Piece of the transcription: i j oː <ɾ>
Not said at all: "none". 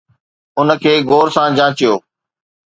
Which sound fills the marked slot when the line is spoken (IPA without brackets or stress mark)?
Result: none